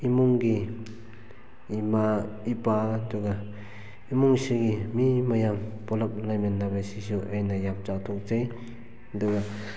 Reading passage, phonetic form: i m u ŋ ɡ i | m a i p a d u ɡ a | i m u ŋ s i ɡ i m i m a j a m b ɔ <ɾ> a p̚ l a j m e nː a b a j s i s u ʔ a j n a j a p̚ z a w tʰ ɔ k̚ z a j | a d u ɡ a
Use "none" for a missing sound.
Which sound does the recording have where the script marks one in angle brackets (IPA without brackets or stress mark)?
l